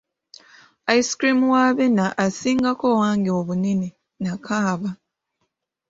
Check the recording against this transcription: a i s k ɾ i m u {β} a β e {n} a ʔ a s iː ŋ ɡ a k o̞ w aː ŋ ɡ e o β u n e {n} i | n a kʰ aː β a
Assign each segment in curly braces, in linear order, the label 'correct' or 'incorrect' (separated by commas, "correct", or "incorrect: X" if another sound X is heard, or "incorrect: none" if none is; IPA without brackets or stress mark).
incorrect: w, correct, correct